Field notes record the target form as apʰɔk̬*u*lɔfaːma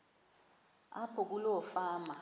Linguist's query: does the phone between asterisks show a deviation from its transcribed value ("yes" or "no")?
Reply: no